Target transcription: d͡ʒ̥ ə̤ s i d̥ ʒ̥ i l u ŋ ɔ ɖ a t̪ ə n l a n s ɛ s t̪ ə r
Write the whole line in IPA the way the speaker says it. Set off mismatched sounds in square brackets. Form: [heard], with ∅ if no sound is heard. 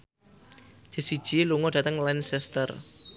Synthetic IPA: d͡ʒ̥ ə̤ s i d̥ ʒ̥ i l u ŋ ɔ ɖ a t̪ ə [ŋ] l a n s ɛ s t̪ ə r